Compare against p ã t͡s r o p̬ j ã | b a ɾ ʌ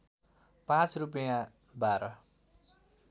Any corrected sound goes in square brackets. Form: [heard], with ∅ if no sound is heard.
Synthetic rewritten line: p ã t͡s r [u] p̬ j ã | b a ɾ ʌ